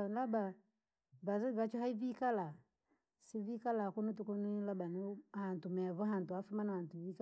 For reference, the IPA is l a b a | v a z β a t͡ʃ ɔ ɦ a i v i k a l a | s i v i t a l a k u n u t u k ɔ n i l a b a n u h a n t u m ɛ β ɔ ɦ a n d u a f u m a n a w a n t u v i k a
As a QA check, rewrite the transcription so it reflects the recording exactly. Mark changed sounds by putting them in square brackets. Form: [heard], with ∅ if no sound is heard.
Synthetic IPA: l a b a | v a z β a t͡ʃ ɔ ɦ a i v i k a l a | s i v i [k] a l a k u n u t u k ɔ n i l a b a n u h a n t u m ɛ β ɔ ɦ a n [t] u a f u m a n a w a n t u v i k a